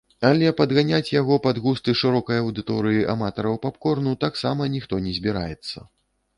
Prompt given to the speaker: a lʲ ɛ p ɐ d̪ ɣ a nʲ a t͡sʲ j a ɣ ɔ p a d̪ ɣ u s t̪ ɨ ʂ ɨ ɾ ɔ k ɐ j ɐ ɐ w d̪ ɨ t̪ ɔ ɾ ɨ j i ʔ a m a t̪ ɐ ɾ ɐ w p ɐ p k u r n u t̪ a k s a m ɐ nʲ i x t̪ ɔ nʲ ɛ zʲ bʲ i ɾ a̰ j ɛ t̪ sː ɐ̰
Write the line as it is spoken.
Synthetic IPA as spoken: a lʲ ɛ p ɐ d̪ ɣ a nʲ a t͡sʲ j a ɣ ɔ p a d̪ ɣ u s t̪ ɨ ʂ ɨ ɾ ɔ k ɐ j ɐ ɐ w d̪ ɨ t̪ ɔ ɾ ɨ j i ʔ a m a t̪ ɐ ɾ ɐ w p a p k ɔ r n u t̪ a k s a m ɐ nʲ i x t̪ ɔ nʲ ɛ zʲ bʲ i ɾ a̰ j ɛ t̪ sː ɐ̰